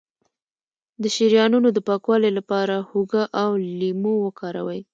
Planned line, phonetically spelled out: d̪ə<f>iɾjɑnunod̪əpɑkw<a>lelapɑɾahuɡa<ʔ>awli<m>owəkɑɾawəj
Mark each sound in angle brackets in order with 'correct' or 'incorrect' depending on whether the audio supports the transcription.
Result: incorrect: ʃ, incorrect: ɑ, correct, correct

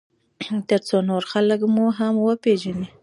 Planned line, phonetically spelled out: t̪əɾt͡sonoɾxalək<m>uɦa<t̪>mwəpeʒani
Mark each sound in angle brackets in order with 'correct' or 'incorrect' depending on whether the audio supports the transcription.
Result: correct, incorrect: none

